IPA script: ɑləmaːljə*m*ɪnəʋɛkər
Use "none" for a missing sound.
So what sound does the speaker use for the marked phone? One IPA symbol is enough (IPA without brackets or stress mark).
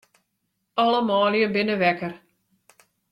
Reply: b